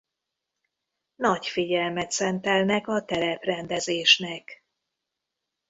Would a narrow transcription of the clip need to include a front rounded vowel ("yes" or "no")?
no